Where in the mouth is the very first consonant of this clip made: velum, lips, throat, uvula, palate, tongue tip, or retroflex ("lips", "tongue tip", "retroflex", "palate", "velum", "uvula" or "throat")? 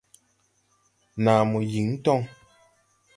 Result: tongue tip